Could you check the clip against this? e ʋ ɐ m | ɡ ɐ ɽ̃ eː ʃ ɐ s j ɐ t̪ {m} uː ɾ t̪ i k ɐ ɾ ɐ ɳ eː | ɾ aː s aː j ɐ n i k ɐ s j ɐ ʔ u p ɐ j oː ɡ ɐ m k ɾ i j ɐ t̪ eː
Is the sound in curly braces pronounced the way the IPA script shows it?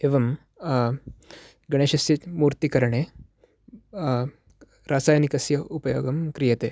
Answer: yes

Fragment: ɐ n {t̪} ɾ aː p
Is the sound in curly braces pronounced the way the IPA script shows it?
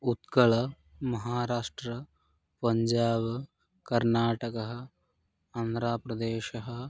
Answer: no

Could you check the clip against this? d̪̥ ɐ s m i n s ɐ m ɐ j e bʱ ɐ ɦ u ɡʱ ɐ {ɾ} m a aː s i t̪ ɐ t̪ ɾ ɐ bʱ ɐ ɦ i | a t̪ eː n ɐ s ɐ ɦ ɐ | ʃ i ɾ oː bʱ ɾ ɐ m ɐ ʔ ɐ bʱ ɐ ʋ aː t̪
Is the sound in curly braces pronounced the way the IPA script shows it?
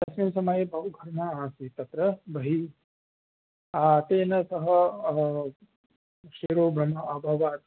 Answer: yes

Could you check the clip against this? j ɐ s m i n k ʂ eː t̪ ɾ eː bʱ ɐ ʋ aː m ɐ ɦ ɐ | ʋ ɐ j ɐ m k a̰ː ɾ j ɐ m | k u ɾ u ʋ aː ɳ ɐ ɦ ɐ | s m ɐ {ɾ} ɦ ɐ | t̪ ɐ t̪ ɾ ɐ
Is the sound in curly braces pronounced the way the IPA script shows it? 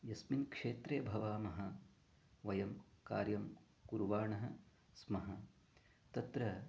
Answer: no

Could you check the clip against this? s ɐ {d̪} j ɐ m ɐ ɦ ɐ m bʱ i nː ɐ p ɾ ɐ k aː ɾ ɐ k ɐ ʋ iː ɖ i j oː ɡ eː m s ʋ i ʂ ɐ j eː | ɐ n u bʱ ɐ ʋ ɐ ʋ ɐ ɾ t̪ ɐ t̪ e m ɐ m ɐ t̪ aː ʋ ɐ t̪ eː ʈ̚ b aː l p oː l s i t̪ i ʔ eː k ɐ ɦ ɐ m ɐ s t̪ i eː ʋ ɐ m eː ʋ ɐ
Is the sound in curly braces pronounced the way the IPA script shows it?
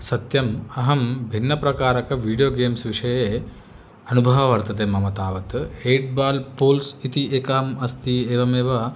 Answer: no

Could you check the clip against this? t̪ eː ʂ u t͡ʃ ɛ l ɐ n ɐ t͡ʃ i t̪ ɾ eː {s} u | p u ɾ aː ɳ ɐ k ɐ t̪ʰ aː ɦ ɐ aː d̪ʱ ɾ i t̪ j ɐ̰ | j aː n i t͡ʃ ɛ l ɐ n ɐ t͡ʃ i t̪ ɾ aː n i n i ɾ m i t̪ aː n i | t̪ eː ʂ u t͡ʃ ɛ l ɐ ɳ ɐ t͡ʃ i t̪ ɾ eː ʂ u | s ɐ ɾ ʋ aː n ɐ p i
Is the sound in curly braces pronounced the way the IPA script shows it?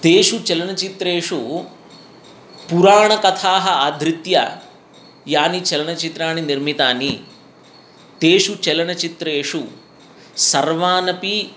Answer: no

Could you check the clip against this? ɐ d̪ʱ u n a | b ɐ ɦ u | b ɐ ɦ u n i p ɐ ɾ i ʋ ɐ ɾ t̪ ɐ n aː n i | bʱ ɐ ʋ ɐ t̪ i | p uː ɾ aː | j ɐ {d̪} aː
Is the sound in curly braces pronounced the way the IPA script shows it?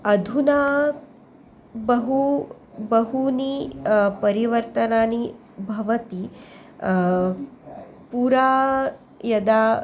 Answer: yes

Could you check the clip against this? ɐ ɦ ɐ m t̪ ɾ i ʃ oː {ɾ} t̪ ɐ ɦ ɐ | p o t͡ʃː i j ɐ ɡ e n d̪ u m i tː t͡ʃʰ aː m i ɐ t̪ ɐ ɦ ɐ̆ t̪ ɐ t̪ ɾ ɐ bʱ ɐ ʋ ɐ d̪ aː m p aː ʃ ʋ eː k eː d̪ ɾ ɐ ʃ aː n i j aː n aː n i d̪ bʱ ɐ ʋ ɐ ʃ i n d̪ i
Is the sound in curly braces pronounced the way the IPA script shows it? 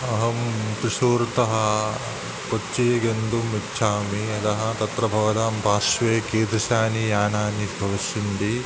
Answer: yes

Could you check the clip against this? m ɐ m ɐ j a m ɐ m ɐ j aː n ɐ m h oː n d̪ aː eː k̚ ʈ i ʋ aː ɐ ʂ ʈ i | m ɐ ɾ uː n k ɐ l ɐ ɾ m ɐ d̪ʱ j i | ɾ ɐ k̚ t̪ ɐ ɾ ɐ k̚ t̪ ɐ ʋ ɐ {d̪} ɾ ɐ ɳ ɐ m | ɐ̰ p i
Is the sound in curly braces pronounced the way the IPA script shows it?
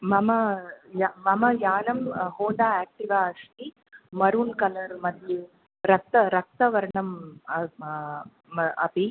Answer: no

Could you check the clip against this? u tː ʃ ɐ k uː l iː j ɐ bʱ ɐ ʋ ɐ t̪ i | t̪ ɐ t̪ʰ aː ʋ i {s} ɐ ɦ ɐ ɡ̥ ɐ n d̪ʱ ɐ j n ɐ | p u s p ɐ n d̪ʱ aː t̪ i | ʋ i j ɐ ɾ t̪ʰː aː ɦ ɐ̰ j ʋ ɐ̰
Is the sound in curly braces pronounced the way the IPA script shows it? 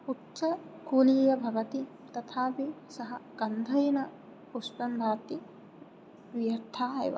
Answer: yes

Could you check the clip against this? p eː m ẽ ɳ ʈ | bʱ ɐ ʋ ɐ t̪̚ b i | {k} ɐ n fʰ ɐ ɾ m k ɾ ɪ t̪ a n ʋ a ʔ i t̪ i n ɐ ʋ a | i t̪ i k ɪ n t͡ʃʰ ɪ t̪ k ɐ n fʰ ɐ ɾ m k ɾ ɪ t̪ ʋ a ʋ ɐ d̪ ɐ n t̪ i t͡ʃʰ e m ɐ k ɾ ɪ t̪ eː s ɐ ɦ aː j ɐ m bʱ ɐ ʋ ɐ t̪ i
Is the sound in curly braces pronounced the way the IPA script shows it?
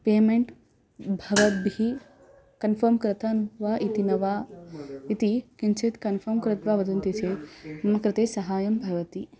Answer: yes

